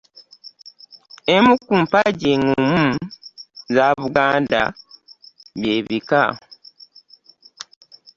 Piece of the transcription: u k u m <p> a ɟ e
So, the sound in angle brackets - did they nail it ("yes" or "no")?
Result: yes